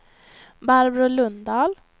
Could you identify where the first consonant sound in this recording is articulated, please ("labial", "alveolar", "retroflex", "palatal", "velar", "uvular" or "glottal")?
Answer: labial